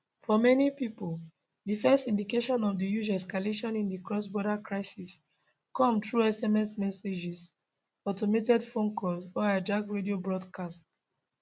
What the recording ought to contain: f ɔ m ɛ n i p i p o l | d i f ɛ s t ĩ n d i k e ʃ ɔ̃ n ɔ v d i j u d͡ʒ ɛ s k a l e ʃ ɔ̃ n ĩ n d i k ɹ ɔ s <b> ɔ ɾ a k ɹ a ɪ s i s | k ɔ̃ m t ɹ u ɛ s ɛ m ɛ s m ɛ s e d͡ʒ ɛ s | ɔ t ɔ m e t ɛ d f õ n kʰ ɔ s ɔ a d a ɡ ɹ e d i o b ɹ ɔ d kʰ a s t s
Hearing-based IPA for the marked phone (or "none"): b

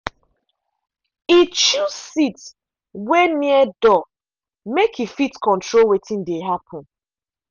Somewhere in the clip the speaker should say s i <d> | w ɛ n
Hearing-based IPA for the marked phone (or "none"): t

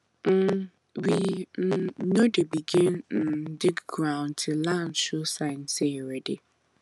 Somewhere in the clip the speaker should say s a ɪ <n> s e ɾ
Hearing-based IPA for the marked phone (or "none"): n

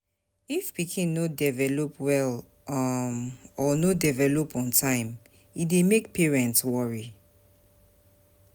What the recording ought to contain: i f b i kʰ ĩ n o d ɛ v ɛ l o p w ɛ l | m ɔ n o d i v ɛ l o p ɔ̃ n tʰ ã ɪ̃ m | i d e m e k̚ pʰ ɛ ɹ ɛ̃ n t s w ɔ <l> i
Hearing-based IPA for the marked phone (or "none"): ɹ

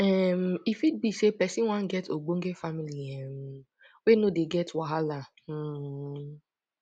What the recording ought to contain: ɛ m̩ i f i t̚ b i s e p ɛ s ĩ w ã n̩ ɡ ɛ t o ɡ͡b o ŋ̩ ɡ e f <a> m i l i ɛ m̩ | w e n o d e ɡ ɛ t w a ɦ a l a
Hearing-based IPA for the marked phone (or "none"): a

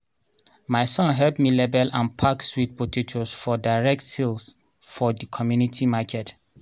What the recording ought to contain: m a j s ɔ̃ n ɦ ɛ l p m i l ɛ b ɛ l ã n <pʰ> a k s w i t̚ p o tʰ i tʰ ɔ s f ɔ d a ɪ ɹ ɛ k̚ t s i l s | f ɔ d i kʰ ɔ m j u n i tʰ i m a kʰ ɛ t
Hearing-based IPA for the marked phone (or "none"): pʰ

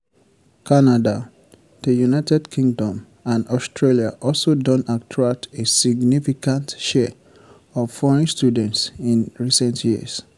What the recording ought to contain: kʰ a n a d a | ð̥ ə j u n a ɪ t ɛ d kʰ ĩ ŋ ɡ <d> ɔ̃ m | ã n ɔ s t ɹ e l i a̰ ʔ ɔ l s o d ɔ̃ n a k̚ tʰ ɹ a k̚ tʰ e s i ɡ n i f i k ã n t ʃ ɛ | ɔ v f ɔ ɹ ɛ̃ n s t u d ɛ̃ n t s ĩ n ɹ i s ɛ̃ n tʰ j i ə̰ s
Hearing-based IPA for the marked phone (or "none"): d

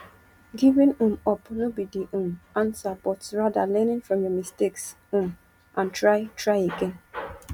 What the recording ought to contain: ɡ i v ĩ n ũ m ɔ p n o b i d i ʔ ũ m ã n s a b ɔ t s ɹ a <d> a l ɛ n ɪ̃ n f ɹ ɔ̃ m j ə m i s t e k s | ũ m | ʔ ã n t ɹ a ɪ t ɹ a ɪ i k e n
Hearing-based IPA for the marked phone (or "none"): d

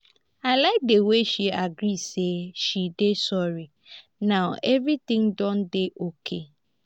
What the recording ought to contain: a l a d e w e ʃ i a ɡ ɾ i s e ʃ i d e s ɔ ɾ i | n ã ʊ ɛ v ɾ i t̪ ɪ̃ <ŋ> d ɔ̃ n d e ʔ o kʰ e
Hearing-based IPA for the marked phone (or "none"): ŋ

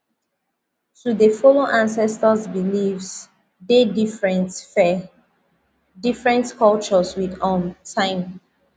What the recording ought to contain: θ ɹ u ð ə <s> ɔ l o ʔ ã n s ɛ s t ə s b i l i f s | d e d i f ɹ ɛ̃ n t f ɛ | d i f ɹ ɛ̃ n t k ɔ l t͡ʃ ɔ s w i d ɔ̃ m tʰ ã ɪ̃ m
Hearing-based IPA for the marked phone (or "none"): f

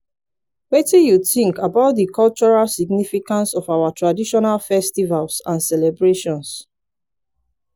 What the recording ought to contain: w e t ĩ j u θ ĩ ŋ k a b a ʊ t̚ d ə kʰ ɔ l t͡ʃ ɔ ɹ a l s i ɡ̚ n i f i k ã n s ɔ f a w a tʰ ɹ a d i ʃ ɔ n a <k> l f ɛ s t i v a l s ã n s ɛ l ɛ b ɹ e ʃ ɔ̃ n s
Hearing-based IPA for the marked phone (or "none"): none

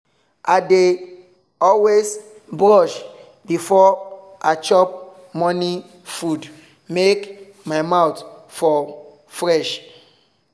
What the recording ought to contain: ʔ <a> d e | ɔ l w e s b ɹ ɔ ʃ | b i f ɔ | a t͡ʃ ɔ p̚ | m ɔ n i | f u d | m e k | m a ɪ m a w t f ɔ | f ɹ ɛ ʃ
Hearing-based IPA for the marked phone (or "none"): a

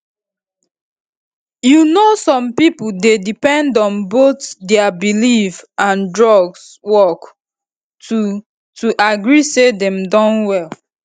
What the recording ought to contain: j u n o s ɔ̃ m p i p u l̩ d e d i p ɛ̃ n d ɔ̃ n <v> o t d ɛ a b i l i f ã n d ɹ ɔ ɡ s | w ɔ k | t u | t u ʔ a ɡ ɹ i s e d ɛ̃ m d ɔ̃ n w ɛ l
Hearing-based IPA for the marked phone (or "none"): b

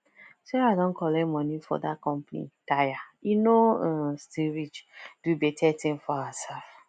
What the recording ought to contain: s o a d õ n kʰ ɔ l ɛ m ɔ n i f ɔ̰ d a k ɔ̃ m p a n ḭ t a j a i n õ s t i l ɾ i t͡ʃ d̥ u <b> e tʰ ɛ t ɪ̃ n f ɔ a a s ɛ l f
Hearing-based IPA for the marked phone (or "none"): b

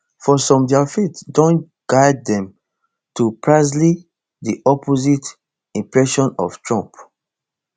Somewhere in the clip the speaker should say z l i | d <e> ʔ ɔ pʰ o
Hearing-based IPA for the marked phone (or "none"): i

